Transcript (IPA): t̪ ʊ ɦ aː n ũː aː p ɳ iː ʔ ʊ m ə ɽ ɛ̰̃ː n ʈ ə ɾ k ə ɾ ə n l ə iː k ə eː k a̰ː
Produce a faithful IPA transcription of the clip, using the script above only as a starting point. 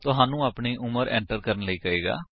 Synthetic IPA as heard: t̪ ʊ ɦ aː n ũː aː p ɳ iː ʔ ʊ m ə ɾ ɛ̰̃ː ɳ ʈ ə ɾ k ə ɾ ə n l ə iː k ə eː ɡ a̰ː